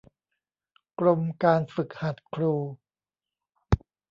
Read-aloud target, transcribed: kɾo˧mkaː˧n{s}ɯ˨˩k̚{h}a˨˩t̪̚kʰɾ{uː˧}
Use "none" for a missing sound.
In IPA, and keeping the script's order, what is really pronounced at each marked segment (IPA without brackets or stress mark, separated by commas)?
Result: f, h, uː˧